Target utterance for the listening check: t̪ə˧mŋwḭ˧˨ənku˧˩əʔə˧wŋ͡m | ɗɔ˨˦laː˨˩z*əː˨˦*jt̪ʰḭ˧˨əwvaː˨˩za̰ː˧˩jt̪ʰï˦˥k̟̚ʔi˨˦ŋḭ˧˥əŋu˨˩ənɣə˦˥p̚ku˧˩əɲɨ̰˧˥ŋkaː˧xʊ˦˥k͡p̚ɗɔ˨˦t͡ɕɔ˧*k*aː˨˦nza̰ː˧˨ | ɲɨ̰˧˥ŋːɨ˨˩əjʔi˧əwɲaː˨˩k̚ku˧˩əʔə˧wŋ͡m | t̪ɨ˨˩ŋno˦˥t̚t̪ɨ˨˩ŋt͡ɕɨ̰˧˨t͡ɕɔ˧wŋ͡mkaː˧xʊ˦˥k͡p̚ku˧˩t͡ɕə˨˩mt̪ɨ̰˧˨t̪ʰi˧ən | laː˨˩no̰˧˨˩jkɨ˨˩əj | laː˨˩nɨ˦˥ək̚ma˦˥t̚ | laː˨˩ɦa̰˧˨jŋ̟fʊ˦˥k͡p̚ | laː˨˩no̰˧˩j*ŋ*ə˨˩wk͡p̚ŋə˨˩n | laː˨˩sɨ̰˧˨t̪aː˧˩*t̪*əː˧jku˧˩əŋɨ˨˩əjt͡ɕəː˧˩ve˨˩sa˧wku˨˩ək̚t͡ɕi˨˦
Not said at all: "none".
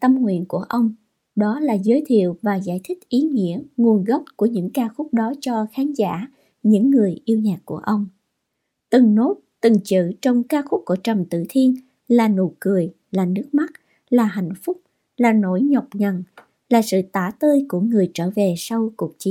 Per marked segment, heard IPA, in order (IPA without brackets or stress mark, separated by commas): əː˨˦, x, ɲ, t̪